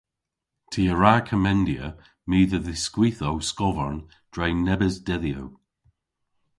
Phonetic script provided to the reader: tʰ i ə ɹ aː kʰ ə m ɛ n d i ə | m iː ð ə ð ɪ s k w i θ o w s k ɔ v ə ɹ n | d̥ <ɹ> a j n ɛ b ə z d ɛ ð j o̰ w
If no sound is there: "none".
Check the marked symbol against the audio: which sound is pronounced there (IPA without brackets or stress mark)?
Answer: ɹ